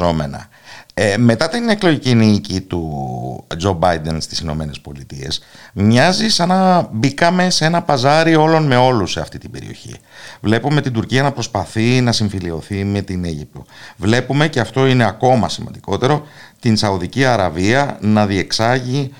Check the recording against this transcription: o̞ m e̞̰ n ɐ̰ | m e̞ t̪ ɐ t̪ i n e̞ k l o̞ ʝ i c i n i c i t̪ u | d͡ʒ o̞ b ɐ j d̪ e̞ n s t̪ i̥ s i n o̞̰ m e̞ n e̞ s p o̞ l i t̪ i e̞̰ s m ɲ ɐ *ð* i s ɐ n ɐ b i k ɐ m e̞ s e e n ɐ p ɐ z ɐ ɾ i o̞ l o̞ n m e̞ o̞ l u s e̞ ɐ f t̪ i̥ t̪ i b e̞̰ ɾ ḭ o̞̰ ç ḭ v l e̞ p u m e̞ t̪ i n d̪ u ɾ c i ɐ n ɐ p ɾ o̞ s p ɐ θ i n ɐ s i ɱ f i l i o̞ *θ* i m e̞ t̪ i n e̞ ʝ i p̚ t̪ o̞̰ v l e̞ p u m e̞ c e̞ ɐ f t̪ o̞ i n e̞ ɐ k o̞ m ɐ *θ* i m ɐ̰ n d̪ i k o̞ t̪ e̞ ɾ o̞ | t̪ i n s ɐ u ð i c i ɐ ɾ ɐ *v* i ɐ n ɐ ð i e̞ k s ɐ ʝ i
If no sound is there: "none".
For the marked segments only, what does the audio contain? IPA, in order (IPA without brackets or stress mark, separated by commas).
z, θ, s, v